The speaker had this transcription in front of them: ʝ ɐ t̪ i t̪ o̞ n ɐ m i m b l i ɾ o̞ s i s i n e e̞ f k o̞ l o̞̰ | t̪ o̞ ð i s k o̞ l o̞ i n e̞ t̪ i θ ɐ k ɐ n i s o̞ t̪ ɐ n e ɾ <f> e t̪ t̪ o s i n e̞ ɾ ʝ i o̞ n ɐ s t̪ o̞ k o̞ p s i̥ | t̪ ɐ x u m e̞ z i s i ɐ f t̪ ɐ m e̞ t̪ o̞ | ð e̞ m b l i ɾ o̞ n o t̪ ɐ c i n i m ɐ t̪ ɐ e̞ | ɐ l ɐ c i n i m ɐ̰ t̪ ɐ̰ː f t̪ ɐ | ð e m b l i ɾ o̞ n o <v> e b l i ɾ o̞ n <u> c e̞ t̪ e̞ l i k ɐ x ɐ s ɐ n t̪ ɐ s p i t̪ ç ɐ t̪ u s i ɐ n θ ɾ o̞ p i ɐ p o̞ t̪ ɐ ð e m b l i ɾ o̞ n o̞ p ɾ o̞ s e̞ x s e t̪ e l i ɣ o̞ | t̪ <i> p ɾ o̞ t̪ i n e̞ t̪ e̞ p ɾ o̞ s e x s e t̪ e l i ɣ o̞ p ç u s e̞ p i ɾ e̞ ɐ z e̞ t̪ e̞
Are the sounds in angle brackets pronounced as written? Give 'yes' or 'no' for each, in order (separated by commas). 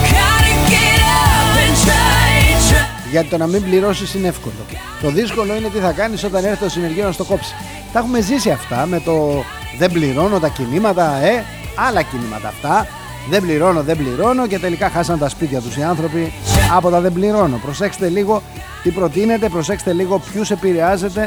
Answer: no, no, no, yes